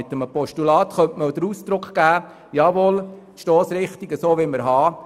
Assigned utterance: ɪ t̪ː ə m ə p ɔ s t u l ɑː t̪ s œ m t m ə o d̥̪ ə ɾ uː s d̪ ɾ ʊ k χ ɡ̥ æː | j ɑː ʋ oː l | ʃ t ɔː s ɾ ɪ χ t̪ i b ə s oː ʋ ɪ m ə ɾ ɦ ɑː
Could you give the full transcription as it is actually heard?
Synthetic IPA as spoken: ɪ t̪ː ə m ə p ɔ ʃ t u l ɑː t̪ χ œ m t m ə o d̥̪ ə ɾ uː s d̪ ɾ ʊ k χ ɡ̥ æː | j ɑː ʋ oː l | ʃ t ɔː s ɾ ɪ χ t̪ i ɡ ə s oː ʋ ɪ m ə ɾ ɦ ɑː